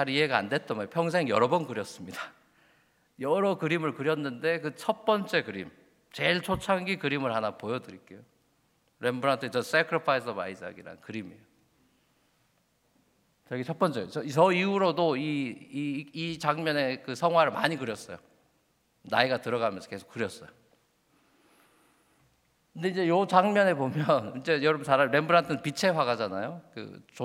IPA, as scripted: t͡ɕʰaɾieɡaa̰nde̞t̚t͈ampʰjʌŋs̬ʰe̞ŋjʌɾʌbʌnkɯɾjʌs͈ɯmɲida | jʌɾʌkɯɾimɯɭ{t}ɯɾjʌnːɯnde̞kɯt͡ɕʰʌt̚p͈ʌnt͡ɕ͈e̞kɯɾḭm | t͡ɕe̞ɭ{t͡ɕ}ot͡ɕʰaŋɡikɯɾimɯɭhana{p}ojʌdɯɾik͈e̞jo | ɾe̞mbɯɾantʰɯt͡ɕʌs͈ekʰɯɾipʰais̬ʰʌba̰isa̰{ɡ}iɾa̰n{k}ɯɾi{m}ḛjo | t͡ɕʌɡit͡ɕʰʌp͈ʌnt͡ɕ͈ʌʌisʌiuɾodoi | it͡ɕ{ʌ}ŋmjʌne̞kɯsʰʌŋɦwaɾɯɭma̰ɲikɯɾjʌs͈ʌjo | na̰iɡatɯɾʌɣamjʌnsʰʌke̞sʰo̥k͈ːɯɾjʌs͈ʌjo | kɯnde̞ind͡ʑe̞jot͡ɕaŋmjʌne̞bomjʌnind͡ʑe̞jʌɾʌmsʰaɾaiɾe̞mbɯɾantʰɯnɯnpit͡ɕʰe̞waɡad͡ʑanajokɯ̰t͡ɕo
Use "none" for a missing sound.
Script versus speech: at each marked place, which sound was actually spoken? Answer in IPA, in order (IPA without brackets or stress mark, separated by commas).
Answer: k, t͡ɕʰ, p, ɡ, k, m, a